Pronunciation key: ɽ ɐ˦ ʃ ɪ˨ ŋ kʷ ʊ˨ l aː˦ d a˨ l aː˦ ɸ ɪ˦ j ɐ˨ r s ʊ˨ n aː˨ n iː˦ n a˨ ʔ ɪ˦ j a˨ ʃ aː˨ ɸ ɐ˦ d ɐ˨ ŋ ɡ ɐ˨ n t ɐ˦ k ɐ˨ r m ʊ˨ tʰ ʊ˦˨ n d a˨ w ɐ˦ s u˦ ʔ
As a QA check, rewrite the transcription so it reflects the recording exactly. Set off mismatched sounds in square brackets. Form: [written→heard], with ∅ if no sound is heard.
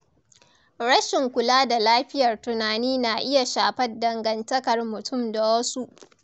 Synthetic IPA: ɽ ɐ˦ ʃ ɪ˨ ŋ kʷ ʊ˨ l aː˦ d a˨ l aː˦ ɸ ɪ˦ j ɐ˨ r [s→t] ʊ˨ n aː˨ n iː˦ n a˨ ʔ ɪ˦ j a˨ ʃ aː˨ ɸ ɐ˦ d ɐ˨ ŋ ɡ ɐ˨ n t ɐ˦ k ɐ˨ r m ʊ˨ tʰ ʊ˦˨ [n→m] d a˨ w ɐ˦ s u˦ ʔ